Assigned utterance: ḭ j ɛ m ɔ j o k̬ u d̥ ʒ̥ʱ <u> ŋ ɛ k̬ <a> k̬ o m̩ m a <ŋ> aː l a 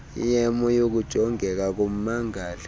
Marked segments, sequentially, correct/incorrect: incorrect: ɔ, correct, correct

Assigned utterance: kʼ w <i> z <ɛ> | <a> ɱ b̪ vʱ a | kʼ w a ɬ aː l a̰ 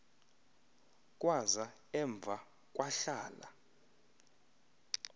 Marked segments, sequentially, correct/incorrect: incorrect: a, incorrect: a, incorrect: ɛ

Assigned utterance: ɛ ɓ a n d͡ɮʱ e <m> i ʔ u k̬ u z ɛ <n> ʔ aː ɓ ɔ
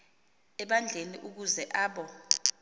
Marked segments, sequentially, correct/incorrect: incorrect: n, incorrect: none

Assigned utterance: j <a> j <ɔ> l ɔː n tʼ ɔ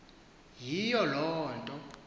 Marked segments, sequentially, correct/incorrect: incorrect: i, correct

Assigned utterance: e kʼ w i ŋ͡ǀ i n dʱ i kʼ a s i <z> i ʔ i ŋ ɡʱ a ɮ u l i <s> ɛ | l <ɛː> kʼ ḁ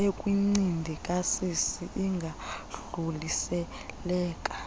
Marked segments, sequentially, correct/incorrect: incorrect: s, correct, correct

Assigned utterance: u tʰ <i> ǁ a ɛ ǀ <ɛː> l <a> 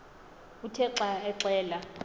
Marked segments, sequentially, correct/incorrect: incorrect: ɛ, correct, correct

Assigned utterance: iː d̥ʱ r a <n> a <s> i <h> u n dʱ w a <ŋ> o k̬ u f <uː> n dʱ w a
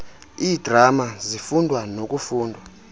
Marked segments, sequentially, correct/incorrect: incorrect: m, incorrect: z, incorrect: f, incorrect: n, correct

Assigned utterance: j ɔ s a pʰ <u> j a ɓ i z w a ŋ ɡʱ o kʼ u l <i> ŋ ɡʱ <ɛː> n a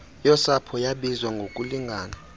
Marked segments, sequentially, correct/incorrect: incorrect: ɔ, correct, incorrect: aː

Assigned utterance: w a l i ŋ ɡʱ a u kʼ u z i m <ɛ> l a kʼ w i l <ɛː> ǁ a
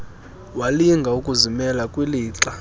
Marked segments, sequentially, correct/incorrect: correct, incorrect: iː

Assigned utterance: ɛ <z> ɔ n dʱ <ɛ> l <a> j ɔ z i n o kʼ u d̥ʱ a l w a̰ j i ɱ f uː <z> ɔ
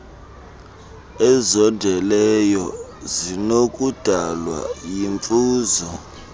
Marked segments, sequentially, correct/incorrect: correct, correct, incorrect: ɛ, correct

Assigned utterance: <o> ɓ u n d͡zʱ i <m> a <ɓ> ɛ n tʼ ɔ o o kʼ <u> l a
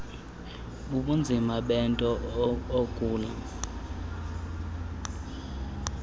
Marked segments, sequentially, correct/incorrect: incorrect: u, correct, correct, incorrect: uː

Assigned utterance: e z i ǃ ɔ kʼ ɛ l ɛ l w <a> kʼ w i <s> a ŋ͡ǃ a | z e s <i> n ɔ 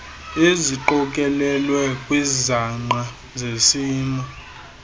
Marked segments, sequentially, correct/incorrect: incorrect: ɛ, incorrect: z, incorrect: iː

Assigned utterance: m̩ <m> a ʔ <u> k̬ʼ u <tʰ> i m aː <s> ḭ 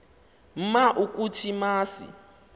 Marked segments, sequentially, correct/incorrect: correct, correct, correct, correct

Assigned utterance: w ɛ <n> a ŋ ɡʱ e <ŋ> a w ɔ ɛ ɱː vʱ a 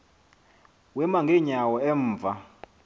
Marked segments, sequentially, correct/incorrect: incorrect: m, incorrect: ɲ

